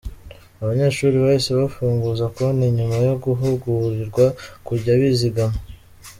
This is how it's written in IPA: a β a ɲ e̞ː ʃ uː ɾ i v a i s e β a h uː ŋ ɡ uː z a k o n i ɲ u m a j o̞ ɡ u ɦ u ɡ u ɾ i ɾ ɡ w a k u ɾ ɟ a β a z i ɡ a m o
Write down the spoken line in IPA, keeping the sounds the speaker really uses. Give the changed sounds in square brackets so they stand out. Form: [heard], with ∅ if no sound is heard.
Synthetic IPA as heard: a β a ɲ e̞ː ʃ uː ɾ i [β] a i s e β a [f] uː ŋ ɡ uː z a k o n i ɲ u m a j o̞ ɡ u ɦ u ɡ u ɾ i ɾ ɡ w a k u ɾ ɟ a β [i] z i ɡ a m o